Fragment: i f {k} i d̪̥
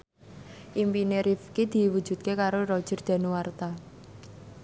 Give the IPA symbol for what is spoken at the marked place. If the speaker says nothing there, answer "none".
k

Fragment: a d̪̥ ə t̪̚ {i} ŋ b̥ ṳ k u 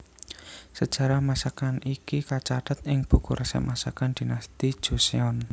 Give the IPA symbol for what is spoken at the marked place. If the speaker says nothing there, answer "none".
ɪ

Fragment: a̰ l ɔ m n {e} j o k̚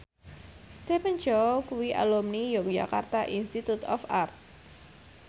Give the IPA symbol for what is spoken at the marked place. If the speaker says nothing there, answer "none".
i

